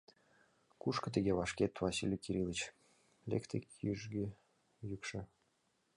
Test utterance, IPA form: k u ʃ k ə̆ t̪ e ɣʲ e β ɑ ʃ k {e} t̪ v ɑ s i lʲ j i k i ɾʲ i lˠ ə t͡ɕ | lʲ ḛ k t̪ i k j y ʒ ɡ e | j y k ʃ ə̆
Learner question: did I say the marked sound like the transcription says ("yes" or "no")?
yes